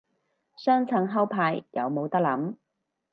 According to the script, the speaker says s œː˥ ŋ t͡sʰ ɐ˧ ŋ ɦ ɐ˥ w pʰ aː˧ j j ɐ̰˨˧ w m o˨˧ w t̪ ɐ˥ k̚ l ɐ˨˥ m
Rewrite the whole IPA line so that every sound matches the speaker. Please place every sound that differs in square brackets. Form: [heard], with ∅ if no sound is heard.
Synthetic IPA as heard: s œː˥ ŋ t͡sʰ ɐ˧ ŋ ɦ ɐ˥ w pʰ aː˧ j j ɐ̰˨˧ w m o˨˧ w t̪ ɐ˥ k̚ l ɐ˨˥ m